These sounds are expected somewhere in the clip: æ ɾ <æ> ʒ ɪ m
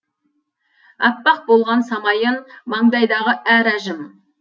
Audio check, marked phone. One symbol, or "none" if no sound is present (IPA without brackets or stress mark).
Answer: æ